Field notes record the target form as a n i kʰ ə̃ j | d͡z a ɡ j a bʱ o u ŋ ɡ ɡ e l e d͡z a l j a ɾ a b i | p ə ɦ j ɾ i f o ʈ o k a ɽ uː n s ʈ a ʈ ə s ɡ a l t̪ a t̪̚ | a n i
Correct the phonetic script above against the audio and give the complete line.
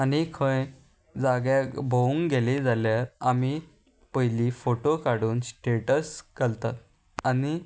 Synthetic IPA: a n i kʰ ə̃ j | d͡z a ɡ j a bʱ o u ŋ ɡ ɡ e l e d͡z a l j a ɾ a m i | p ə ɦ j l i f o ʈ o k a ɽ uː n s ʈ e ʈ ə s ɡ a l t̪ a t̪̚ | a n i

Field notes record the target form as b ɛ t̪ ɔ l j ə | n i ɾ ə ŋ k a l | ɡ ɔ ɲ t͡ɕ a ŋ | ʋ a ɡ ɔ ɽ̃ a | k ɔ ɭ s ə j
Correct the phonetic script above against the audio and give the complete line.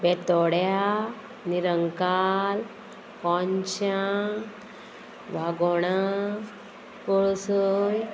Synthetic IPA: b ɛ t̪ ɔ ɽ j a | n i ɾ ə ŋ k a l | k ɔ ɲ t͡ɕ a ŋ | ʋ a ɡ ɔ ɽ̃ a | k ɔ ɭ s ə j

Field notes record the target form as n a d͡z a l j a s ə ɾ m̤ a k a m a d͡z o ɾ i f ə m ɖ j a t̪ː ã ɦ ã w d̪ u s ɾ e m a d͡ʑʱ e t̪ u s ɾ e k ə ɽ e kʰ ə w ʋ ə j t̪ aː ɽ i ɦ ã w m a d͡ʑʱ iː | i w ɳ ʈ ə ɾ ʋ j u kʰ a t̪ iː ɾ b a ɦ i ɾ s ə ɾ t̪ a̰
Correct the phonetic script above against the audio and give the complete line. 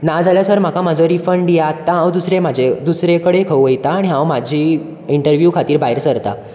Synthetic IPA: n a d͡z a l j a s ə ɾ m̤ a k a m a d͡z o ɾ i f ə ɳ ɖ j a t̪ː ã ɦ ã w d̪ u s ɾ e m a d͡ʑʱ e d̪ u s ɾ e k ə ɽ e kʰ ə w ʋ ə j t̪ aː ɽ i ɦ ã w m a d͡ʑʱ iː | i ɳ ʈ ə ɾ ʋ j u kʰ a t̪ iː ɾ b a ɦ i ɾ s ə ɾ t̪ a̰

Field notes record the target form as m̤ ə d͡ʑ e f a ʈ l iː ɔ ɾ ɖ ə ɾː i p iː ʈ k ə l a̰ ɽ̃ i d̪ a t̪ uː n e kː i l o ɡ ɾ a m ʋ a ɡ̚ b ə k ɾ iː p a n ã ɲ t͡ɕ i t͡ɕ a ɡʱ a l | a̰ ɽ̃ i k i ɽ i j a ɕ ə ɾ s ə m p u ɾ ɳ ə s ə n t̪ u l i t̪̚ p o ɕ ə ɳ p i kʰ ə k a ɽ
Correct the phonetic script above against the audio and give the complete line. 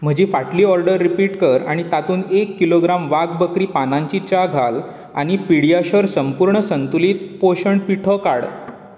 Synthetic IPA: m̤ ə d͡ʑ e f a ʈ l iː ɔ ɾ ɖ ə ɾː i p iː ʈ k ə ɾ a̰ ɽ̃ i t̪ a t̪ uː n e kː i l o ɡ ɾ a m ʋ a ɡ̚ b ə k ɾ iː p a n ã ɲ t͡ɕ i t͡ɕ a ɡʱ a l | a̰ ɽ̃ i p i ɽ i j a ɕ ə ɾ s ə m p u ɾ ɳ ə s ə n t̪ u l i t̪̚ p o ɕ ə ɳ p i ʈʰ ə k a ɽ

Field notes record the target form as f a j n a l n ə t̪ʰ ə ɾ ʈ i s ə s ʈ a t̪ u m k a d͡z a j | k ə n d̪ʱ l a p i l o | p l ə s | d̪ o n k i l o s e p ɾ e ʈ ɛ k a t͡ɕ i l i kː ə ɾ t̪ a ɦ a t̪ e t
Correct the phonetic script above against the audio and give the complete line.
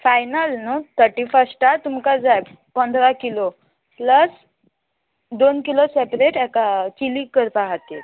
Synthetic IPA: f a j n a l n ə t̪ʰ ə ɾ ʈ i f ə s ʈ a t̪ u m k a d͡z a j | p ə n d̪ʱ ɾ a k i l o | p l ə s | d̪ o n k i l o s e p ɾ e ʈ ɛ k a t͡ɕ i l i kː ə ɾ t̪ a ɦ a t̪ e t

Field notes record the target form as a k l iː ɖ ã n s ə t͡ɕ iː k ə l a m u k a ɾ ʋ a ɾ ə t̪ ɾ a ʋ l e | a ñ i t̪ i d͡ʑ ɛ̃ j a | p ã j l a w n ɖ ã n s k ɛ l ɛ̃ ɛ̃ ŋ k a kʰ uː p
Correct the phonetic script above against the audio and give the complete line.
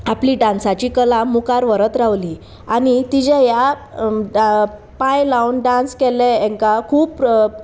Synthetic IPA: a p l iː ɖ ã n s a t͡ɕ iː k ə l a m u k a ɾ ʋ ə ɾ ə t̪ ɾ a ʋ l i | a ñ i t̪ i d͡ʑ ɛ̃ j a | p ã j l a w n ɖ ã n s k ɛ l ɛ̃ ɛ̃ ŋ k a kʰ uː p

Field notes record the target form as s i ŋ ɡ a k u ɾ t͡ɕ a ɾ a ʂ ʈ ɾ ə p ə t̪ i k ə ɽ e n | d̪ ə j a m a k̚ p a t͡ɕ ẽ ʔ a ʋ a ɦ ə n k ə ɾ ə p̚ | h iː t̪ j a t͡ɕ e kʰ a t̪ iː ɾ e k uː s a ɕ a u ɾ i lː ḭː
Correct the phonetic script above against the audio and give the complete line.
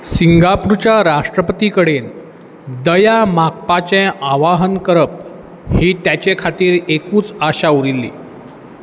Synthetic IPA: s i ŋ ɡ a p u ɾ t͡ɕ a ɾ a ʂ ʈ ɾ ə p ə t̪ i k ə ɽ e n | d̪ ə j a m a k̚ p a t͡ɕ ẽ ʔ a ʋ a ɦ ə n k ə ɾ ə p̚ | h iː t̪ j a t͡ɕ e kʰ a t̪ iː ɾ e k uː t͡s a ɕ a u ɾ i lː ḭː

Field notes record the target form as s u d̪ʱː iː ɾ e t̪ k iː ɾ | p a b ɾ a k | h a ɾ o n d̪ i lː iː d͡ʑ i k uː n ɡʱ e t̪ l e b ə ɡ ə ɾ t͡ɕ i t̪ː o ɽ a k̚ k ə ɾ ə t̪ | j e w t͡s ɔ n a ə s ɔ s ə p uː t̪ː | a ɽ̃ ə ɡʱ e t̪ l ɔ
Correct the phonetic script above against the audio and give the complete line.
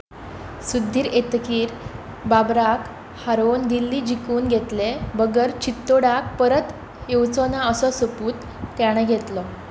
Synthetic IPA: s u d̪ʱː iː ɾ e t̪ k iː ɾ | b a b ɾ a k | h a ɾ o n d̪ i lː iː d͡ʑ i k uː n ɡʱ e t̪ l e b ə ɡ ə ɾ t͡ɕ i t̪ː o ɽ a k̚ p ə ɾ ə t̪ | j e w t͡s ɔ n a ə s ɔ s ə p uː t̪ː | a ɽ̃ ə ɡʱ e t̪ l ɔ

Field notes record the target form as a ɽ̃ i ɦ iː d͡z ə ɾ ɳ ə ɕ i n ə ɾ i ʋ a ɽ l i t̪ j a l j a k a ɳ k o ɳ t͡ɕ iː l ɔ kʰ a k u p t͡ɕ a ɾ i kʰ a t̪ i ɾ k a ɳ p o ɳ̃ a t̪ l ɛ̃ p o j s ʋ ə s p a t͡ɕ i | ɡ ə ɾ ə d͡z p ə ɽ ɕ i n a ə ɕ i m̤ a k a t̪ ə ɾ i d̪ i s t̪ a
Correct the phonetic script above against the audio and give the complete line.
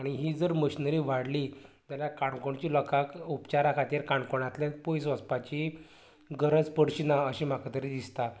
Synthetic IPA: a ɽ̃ i ɦ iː d͡z ə ɾ m ə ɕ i n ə ɾ i ʋ a ɽ l i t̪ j a l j a k a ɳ k o ɳ t͡ɕ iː l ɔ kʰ a k u p t͡ɕ a ɾ a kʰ a t̪ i ɾ k a ɳ k o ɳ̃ a t̪ l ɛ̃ p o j s ʋ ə s p a t͡ɕ i | ɡ ə ɾ ə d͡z p ə ɽ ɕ i n a ə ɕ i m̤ a k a t̪ ə ɾ i d̪ i s t̪ a

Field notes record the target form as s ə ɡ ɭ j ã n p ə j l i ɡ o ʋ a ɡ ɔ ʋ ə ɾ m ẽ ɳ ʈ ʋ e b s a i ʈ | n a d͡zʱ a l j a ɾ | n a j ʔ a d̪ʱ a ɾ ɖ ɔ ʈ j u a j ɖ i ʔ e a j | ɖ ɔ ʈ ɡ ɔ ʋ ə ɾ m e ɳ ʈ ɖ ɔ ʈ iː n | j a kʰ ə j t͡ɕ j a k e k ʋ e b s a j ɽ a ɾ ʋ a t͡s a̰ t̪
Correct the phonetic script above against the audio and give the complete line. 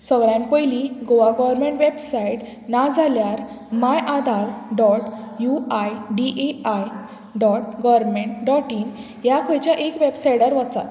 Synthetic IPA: s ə ɡ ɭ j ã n p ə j l i ɡ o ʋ a ɡ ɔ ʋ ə ɾ m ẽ ɳ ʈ ʋ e b s a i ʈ | n a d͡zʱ a l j a ɾ | m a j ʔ a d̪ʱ a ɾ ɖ ɔ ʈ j u a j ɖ i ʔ e a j | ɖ ɔ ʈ ɡ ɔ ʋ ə ɾ m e ɳ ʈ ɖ ɔ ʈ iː n | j a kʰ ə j t͡ɕ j a ʔ e k ʋ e b s a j ɽ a ɾ ʋ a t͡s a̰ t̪

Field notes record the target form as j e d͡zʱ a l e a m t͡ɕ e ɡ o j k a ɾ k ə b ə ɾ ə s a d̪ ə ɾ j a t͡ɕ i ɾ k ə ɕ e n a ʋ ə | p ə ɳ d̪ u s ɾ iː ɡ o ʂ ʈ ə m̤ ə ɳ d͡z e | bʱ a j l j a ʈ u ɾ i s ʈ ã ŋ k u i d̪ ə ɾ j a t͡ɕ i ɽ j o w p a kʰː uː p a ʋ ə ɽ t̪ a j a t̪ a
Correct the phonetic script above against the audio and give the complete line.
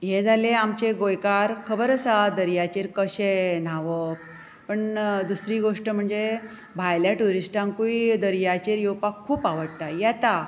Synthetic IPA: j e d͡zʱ a l e a m t͡ɕ e ɡ o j k a ɾ kʰ ə b ə ɾ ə s a d̪ ə ɾ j a t͡ɕ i ɾ k ə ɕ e n a ʋ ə | p ə ɳ d̪ u s ɾ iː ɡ o ʂ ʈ ə m̤ ə ɳ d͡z e | bʱ a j l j a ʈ u ɾ i s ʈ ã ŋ k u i d̪ ə ɾ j a t͡ɕ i ɾ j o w p a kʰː uː p a ʋ ə ɽ t̪ a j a t̪ a

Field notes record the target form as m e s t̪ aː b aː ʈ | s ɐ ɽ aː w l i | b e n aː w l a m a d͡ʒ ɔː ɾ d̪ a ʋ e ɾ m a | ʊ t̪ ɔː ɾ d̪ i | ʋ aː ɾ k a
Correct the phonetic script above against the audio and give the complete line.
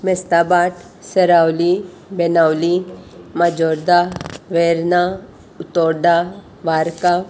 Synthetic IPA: m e s t̪ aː b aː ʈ | s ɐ ɾ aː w l i | b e n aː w l i m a d͡ʒ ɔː ɾ d̪ a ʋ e ɾ n a | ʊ t̪ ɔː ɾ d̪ a | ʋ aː ɾ k a

